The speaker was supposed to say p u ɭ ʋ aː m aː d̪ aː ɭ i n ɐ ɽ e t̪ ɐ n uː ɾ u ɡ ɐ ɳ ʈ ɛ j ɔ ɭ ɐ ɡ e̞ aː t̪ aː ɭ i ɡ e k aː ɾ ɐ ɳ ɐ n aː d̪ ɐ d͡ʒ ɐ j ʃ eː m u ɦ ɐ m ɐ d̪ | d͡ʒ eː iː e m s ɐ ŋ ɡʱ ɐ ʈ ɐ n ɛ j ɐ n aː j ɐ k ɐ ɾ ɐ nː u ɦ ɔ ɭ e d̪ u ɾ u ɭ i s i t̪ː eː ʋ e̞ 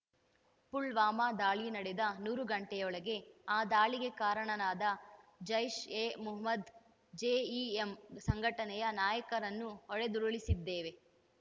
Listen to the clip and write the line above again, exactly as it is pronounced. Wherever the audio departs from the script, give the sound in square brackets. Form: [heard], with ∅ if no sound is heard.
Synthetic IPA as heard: p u ɭ ʋ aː m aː d̪ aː ɭ i n ɐ ɽ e [d̪] ɐ n uː ɾ u ɡ ɐ ɳ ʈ ɛ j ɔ ɭ ɐ ɡ e̞ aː [d̪] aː ɭ i ɡ e k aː ɾ ɐ ɳ ɐ n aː d̪ ɐ d͡ʒ ɐ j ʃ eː m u ɦ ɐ m ɐ d̪ | d͡ʒ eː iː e m s ɐ ŋ ɡʱ ɐ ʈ ɐ n ɛ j ɐ n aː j ɐ k ɐ ɾ ɐ nː u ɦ ɔ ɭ e d̪ u ɾ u ɭ i s i [d̪ː] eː ʋ e̞